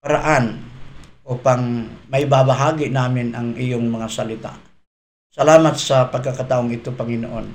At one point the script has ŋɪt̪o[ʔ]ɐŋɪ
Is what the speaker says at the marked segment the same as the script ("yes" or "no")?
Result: no